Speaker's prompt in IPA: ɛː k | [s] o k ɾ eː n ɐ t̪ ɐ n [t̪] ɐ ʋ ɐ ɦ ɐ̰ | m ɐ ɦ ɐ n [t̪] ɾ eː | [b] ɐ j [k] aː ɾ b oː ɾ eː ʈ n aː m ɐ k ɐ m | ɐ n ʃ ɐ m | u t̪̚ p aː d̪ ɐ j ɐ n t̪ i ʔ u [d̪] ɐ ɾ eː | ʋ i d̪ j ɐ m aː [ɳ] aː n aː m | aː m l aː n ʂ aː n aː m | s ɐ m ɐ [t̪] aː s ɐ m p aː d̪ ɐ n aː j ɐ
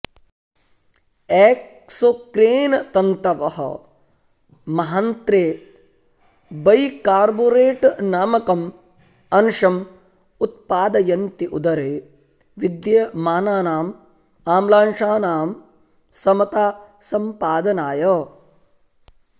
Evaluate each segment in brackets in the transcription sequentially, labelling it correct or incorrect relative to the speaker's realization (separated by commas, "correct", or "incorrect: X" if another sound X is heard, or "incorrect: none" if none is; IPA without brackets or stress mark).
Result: correct, correct, correct, correct, correct, correct, incorrect: n, correct